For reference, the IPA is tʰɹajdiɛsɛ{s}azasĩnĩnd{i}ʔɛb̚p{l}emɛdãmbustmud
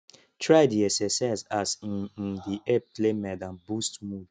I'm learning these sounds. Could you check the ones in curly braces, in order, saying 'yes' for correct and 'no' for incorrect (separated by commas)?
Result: yes, yes, yes